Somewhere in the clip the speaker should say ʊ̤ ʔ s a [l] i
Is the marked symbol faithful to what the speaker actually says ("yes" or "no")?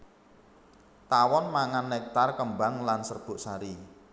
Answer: no